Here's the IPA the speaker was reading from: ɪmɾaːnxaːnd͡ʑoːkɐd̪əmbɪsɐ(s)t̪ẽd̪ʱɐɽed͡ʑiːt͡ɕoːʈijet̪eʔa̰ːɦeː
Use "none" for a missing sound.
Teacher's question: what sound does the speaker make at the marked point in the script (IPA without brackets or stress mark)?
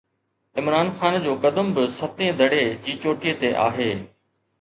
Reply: none